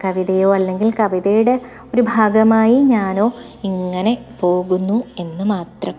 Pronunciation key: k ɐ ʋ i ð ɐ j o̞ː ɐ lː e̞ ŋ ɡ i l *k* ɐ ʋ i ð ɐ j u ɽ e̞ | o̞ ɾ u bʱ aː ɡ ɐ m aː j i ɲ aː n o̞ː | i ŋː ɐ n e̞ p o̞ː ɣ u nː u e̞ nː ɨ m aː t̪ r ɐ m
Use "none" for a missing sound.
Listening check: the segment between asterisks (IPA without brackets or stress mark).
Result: k